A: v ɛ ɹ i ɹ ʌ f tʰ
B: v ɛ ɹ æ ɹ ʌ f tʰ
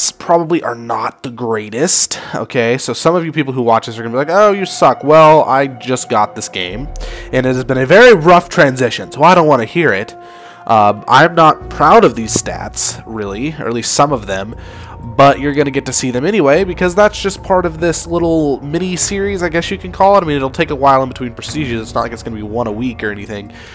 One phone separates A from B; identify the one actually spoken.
A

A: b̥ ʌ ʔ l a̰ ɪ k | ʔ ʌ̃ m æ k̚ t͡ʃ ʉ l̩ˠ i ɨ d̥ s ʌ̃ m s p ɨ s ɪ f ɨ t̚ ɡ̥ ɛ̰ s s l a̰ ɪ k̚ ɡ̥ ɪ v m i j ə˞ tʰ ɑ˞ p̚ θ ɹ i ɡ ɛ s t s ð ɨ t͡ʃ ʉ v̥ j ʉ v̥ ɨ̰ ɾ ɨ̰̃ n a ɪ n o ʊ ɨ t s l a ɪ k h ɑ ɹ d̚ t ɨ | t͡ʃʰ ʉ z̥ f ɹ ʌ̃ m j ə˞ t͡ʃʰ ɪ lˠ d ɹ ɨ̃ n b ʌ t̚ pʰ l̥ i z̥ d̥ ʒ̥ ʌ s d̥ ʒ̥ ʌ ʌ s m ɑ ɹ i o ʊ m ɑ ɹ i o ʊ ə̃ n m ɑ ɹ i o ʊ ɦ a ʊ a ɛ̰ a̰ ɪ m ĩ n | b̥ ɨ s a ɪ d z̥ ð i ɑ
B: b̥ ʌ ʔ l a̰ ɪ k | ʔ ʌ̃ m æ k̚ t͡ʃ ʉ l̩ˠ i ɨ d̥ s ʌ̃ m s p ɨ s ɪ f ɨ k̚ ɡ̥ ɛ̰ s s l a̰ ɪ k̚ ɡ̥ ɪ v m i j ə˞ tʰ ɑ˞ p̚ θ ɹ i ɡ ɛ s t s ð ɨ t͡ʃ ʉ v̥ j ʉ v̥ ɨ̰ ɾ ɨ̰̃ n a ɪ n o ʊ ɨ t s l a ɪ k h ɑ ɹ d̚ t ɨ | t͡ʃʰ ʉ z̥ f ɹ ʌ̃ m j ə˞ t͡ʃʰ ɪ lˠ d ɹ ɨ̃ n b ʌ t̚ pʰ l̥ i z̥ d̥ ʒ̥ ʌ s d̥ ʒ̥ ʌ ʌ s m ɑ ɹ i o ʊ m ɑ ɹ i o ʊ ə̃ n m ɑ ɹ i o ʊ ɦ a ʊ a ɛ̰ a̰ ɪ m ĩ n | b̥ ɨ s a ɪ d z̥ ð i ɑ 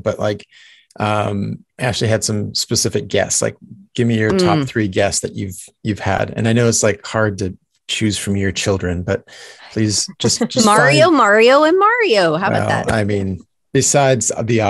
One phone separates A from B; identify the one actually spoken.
B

